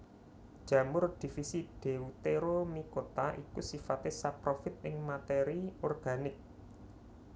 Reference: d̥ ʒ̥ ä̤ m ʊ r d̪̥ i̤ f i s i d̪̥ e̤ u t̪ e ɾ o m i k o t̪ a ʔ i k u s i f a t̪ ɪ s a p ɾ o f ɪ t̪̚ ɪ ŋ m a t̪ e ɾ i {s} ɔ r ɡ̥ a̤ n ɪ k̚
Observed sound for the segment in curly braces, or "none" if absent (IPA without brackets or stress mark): none